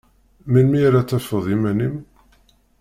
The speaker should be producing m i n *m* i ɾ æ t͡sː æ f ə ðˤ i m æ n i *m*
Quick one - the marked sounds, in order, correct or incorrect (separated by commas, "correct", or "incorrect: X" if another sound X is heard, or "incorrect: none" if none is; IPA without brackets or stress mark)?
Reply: correct, correct